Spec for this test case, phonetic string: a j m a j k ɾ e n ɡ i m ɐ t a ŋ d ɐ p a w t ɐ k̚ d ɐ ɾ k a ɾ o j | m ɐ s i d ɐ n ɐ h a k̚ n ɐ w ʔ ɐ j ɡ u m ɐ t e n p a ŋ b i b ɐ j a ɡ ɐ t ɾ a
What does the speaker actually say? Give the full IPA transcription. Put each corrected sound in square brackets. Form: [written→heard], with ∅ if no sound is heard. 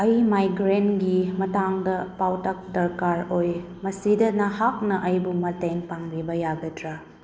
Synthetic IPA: [a→ɐ] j m a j [k→ɡ] ɾ e n ɡ i m ɐ t a ŋ d ɐ p a w t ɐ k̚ d ɐ ɾ k a ɾ o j | m ɐ s i d ɐ n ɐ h a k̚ n ɐ [w→∅] ʔ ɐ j [ɡ→b] u m ɐ t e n p a ŋ b i b ɐ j a ɡ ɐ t ɾ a